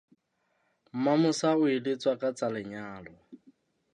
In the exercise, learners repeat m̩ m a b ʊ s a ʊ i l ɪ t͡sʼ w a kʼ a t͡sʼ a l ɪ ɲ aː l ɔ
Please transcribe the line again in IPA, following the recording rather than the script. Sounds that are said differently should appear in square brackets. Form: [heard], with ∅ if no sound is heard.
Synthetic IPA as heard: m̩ m a [m] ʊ s a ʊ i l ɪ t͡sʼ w a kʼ a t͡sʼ a l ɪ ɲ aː l ɔ